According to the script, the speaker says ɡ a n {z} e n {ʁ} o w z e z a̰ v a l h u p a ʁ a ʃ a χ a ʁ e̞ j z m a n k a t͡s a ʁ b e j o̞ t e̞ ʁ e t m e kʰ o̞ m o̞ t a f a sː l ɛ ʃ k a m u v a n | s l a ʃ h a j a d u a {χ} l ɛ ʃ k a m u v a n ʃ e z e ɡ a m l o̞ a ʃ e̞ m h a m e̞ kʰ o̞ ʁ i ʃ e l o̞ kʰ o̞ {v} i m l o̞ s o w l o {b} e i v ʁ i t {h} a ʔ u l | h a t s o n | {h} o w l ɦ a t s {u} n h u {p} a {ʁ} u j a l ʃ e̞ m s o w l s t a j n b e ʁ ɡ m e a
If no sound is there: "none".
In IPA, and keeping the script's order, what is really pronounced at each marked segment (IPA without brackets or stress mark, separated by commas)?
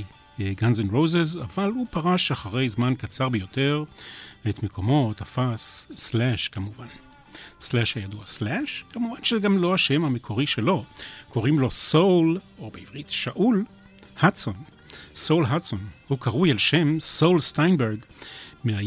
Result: z, ʁ, s, ʁ, b, ʃ, s, o, k, ʁ